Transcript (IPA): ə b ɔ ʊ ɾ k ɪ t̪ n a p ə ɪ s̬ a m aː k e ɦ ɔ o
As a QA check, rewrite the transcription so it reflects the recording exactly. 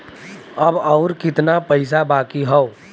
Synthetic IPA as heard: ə b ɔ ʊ ɾ k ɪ t̪ n a p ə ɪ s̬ a b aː k i ɦ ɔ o